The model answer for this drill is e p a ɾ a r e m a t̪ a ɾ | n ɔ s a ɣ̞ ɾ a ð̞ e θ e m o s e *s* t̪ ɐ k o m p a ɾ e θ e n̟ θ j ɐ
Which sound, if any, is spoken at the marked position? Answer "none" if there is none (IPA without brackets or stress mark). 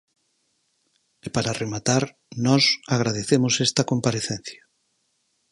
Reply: s